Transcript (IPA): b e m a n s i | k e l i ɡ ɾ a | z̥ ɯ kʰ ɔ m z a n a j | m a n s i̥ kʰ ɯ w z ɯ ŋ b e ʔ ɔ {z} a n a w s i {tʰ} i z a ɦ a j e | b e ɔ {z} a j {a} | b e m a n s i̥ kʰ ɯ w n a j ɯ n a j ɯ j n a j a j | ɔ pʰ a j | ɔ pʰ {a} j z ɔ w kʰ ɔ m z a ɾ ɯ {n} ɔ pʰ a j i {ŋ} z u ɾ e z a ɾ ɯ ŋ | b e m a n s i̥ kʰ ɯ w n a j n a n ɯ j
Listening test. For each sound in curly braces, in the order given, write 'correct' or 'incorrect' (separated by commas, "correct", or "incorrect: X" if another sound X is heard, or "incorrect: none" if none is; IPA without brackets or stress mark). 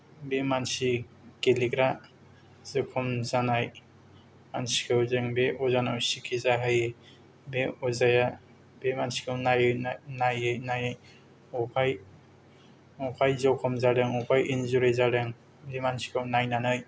correct, incorrect: kʰ, correct, correct, correct, incorrect: ŋ, incorrect: n